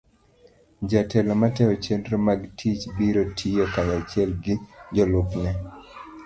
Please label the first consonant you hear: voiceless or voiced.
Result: voiced